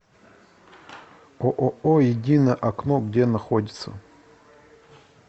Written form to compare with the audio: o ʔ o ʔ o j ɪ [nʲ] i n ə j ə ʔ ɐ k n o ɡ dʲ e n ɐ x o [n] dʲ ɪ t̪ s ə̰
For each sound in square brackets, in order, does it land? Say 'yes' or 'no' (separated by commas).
no, no